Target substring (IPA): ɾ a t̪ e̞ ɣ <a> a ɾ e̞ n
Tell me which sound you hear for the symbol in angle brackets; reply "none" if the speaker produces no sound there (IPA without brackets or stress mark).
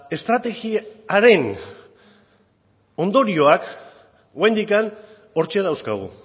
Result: i